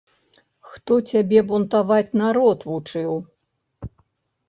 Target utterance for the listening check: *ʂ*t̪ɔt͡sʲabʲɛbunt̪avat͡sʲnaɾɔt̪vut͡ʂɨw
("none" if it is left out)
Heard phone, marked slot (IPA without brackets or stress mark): x